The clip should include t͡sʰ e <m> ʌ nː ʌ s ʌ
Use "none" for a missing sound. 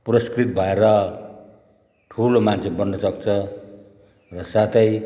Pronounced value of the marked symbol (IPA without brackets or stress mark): b